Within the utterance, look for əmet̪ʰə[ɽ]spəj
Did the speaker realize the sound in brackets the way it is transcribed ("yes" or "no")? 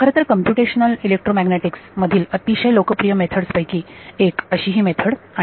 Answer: yes